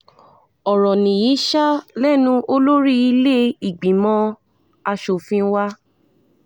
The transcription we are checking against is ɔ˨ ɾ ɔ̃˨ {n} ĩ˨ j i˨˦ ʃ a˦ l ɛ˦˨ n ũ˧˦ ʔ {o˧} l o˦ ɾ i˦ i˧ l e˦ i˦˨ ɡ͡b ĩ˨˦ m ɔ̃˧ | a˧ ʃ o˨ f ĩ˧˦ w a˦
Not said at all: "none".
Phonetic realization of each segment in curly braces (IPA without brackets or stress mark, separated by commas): n, o˧